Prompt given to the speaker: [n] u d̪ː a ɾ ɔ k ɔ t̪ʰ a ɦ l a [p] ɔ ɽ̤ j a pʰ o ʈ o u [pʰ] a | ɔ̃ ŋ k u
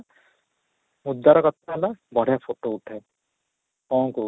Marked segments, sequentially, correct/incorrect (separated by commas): incorrect, incorrect, incorrect